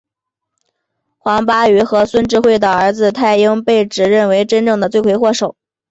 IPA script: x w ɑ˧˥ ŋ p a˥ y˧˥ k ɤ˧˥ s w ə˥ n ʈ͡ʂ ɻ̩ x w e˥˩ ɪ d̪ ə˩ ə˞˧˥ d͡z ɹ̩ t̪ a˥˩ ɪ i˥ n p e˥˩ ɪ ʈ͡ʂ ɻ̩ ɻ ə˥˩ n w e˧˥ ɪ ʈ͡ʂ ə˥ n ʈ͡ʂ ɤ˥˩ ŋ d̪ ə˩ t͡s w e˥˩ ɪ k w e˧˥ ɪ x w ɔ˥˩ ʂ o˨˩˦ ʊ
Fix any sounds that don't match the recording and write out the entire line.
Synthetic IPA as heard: x w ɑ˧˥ ŋ p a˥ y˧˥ x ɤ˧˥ s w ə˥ n ʈ͡ʂ ɻ̩ x w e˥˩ ɪ d̪ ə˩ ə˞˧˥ d͡z ɹ̩ t̪ʰ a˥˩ ɪ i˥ ŋ p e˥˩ ɪ ʈ͡ʂ ɻ̩ ɻ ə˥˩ n w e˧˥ ɪ ʈ͡ʂ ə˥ n ʈ͡ʂ ɤ˥˩ ŋ d̪ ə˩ t͡s w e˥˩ ɪ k w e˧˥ ɪ x w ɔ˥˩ ʂ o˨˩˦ ʊ